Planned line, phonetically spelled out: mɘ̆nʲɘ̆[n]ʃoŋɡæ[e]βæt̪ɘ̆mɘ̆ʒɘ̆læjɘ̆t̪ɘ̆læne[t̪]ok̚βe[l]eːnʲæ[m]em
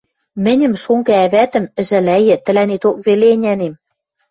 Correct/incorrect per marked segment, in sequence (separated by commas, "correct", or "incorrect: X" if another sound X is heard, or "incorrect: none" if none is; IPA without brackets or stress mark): incorrect: m, incorrect: æ, correct, correct, incorrect: n